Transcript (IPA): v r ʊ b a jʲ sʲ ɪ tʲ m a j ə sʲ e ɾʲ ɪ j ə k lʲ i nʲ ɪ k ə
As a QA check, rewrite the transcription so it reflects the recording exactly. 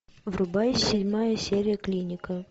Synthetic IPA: v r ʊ b a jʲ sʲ ɪ dʲ m a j ə sʲ e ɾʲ ɪ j ə k lʲ i nʲ ɪ k ə

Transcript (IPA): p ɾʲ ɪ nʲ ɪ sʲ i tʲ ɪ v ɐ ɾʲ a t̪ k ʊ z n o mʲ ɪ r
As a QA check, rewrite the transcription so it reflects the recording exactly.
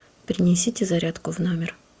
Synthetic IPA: p ɾʲ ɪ nʲ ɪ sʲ i tʲ ɪ z ɐ ɾʲ a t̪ k ʊ v n o mʲ ɪ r

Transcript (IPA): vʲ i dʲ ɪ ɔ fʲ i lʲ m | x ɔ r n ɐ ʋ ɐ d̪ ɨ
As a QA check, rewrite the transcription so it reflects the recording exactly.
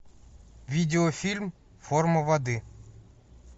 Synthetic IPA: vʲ i dʲ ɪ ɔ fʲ i lʲ m | f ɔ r m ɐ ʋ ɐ d̪ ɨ

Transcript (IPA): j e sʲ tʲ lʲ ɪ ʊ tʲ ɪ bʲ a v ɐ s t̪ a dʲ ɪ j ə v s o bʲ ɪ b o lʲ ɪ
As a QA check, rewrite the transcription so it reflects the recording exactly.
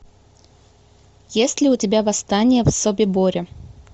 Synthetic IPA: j e sʲ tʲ lʲ ɪ ʊ tʲ ɪ bʲ a v ɐ s t̪ a nʲ ɪ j ə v s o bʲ ɪ b o ɾʲ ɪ

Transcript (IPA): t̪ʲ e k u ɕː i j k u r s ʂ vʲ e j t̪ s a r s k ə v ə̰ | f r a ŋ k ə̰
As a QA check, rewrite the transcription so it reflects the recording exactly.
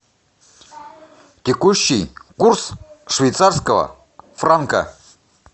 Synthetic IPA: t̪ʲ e k u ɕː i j k u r s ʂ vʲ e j t̪ s a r s k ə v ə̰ | f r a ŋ k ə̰

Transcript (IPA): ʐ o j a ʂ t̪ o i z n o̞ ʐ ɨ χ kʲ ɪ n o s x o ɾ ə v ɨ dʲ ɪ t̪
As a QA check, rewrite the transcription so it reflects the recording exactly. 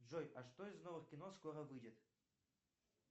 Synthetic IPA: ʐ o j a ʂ t̪ o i z n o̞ v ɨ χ kʲ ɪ n o s k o ɾ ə v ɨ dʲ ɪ t̪

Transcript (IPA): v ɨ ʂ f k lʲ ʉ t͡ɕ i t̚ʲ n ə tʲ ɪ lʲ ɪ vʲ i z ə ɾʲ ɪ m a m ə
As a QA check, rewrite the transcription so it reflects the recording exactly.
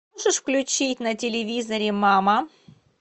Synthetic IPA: ʐ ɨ ʂ f k lʲ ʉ t͡ɕ i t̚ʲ n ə tʲ ɪ lʲ ɪ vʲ i z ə ɾʲ ɪ m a m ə

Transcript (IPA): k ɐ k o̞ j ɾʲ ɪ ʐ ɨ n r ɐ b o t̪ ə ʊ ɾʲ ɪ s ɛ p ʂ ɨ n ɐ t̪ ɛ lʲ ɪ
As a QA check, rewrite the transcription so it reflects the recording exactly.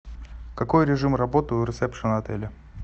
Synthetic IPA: k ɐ k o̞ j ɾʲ ɪ ʐ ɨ m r ɐ b o t̪ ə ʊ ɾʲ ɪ s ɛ p ʂ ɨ n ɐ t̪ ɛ lʲ ɪ

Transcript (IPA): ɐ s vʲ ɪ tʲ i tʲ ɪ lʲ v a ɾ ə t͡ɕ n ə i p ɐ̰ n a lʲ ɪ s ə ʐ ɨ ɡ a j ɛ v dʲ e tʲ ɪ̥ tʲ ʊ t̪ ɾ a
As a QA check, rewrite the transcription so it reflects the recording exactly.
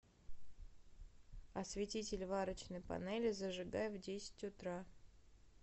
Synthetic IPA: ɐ s vʲ ɪ tʲ i tʲ ɪ lʲ v a ɾ ə t͡ɕ n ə j p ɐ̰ n ɛ lʲ ɪ z ə ʐ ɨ ɡ a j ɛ v dʲ e sʲ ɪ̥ tʲ ʊ t̪ ɾ a

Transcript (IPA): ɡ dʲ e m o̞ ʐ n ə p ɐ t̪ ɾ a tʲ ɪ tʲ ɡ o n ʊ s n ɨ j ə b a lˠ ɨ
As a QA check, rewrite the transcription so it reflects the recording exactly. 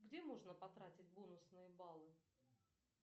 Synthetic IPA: ɡ dʲ e m o̞ ʐ n ə p ɐ t̪ ɾ a tʲ ɪ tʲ b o n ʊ s n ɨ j ə b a lˠ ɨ

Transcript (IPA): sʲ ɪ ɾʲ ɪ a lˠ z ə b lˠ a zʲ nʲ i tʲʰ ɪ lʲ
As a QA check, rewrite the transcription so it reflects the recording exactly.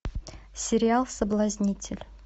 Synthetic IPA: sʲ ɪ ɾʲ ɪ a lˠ s ə b lˠ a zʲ nʲ i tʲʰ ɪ lʲ

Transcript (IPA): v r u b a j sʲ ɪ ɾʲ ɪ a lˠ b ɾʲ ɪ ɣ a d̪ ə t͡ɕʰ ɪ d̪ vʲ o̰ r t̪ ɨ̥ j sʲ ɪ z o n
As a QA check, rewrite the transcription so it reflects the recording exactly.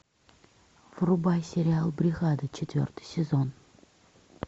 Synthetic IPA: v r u b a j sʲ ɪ ɾʲ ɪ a lˠ b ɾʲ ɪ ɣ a d̪ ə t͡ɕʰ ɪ t̪ vʲ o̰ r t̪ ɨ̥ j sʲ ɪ z o n

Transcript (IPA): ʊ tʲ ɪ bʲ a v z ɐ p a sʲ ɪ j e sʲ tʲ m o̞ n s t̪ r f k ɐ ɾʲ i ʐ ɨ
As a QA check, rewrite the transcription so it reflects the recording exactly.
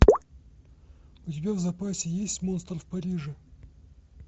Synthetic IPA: ʊ tʲ ɪ bʲ a v z ɐ p a sʲ ɪ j e sʲ tʲ m o̞ n s t̪ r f p ɐ ɾʲ i ʐ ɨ

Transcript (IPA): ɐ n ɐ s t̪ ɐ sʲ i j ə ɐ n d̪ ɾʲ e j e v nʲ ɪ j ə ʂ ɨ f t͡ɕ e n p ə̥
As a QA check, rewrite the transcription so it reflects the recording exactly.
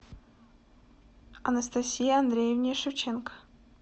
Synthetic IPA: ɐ n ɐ s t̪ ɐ sʲ i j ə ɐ n d̪ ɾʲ e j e v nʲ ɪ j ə ʂ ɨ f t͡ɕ e n k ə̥

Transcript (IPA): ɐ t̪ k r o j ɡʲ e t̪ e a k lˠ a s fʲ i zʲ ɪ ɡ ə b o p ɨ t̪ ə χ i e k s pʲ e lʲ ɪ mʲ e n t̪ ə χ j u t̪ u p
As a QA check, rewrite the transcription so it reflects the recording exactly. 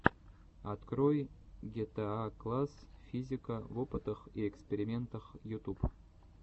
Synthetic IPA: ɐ t̪ k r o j ɡʲ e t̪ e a k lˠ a s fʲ i zʲ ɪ k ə v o p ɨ t̪ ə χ i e k s pʲ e ɾʲ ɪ mʲ e n t̪ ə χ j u t̪ u p

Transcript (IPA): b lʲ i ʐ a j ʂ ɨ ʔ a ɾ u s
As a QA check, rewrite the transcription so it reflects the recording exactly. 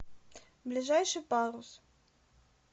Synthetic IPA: b lʲ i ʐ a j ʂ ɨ p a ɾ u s

